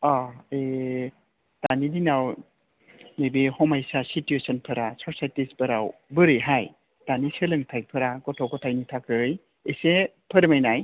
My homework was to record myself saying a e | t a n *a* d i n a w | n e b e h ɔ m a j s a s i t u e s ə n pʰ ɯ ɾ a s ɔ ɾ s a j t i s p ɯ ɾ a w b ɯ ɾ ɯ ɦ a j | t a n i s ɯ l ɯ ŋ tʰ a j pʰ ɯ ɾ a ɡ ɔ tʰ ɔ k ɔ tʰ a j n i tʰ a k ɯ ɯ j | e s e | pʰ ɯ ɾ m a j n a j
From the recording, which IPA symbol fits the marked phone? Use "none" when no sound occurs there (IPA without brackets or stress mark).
i